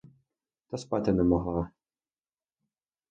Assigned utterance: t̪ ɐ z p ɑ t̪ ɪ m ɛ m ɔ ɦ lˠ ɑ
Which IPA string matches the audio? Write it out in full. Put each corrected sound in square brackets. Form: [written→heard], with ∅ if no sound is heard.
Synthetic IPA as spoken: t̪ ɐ [z→s] p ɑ t̪ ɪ [m→n] ɛ m ɔ ɦ lˠ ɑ